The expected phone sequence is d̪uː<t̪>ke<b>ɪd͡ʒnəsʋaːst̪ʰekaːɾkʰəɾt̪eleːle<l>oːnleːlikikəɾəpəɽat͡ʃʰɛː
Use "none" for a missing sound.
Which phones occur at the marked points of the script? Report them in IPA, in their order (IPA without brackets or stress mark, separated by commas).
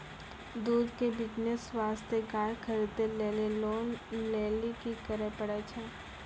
d̪, b, l